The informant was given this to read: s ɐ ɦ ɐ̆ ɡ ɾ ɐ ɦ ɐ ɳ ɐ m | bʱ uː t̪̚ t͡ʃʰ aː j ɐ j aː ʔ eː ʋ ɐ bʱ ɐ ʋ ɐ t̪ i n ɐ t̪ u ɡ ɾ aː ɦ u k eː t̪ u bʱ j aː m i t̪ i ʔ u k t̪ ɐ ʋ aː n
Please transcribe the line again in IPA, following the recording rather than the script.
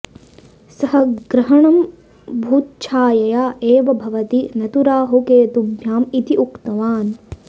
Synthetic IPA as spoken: s ɐ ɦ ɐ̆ ɡ ɾ ɐ ɦ ɐ ɳ ɐ m | bʱ uː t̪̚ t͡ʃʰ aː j ɐ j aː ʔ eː ʋ ɐ bʱ ɐ ʋ ɐ t̪ i n ɐ t̪ u ɾ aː ɦ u k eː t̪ u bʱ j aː m i t̪ i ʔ u k t̪ ɐ ʋ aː n